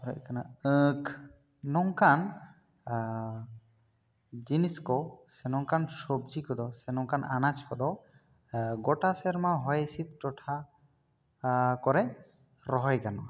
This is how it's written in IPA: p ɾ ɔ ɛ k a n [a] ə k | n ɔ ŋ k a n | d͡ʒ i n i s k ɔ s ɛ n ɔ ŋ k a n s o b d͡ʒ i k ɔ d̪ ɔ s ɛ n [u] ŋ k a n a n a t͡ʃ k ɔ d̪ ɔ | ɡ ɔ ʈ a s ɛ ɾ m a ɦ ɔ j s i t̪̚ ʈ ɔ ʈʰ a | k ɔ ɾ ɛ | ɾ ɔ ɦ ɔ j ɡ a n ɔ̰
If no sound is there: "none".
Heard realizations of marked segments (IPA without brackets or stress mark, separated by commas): a, ɔ